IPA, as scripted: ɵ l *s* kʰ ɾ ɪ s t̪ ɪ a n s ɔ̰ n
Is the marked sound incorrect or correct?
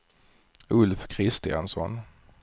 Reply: incorrect: f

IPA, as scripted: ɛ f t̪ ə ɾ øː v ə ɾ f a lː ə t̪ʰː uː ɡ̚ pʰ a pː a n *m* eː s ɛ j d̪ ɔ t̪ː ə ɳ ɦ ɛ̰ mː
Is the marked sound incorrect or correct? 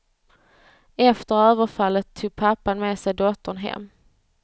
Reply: correct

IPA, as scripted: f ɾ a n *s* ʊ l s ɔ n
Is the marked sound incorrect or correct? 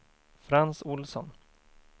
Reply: correct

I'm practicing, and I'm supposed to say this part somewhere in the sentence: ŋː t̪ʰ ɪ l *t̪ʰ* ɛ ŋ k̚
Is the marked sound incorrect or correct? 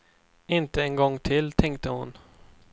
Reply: correct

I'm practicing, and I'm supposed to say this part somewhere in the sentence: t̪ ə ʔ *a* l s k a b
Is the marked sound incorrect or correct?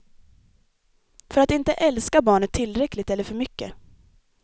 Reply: incorrect: ɛ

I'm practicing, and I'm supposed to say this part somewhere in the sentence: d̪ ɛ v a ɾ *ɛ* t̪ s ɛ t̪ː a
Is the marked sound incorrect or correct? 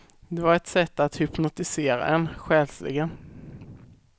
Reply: correct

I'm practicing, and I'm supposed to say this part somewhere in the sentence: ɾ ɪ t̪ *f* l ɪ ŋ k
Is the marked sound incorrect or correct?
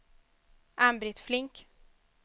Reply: correct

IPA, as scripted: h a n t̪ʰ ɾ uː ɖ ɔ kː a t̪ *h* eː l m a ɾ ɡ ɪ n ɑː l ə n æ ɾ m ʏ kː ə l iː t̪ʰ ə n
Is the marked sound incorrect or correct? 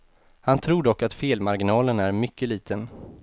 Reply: incorrect: f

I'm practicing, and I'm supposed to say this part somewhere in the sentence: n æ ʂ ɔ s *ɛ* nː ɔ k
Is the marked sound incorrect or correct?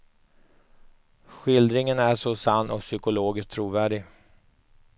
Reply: incorrect: a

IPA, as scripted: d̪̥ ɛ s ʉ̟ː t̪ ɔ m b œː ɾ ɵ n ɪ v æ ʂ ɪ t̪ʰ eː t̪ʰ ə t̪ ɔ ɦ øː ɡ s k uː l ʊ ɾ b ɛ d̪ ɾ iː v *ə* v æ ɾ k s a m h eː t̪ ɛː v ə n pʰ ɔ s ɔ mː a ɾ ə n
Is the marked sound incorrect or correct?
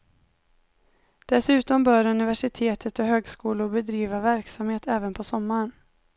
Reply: incorrect: a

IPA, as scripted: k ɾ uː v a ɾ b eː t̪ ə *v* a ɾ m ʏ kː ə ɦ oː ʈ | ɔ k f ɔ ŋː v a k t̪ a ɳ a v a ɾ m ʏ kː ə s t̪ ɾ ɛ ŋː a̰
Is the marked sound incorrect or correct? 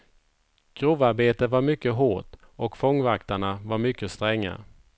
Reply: correct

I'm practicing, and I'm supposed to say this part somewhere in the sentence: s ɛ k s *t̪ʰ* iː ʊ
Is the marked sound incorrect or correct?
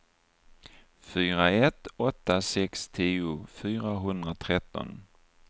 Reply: correct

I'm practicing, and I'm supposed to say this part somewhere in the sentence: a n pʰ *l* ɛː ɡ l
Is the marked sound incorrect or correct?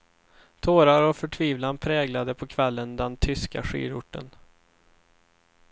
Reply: incorrect: ɾ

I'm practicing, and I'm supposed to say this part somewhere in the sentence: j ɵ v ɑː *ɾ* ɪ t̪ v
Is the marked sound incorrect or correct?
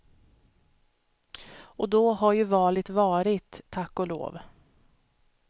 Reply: incorrect: l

